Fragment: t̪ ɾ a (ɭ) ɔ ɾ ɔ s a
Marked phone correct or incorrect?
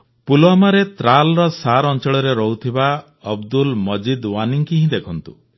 incorrect